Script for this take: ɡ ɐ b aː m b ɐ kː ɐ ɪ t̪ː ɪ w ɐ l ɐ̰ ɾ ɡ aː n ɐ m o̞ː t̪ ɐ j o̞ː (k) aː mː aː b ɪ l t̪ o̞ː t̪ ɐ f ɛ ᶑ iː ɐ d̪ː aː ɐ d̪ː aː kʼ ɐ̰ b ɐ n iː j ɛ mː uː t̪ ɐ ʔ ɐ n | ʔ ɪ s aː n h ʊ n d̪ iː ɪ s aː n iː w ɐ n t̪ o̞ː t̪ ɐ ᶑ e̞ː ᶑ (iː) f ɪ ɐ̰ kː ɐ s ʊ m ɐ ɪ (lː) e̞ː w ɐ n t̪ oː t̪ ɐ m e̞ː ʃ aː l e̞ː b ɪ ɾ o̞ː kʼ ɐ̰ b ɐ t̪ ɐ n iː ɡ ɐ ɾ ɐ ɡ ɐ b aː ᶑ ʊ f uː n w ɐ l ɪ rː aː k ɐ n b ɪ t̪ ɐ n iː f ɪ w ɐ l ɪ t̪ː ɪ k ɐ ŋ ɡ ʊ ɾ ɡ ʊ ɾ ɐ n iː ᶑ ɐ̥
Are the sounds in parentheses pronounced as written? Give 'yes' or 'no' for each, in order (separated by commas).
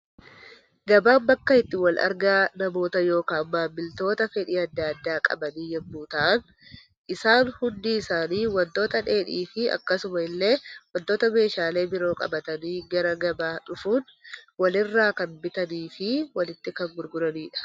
yes, yes, yes